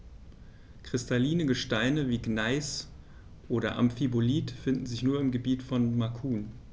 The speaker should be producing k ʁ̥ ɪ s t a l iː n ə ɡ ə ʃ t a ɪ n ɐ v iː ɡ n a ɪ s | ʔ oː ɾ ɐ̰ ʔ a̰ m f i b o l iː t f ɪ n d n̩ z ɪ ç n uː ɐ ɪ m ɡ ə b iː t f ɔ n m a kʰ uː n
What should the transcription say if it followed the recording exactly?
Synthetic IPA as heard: k ʁ̥ ɪ s t a l iː n ə ɡ ə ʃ t a ɪ n ə v iː ɡ n a ɪ s | ʔ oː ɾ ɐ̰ ʔ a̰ m f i b o l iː t f ɪ n d n̩ z ɪ ç n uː ɐ ɪ m ɡ ə b iː t f ɔ n m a kʰ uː n